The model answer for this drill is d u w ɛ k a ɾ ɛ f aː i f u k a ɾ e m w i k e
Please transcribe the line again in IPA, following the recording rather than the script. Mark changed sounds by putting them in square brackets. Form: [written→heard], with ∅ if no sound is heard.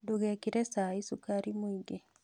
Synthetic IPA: d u [w→ɣ] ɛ k [a→i] ɾ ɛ [f→s] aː i [f→s] u k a ɾ [e→i] m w i [k→ɡ] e